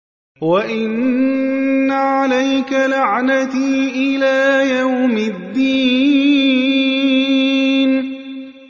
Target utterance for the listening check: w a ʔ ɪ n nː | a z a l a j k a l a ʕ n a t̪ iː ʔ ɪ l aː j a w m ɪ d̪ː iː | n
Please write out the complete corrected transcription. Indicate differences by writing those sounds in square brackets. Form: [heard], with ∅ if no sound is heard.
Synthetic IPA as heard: w a ʔ ɪ n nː | a [ʕ] a l a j k a l a ʕ n a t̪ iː ʔ ɪ l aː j a w m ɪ d̪ː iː | n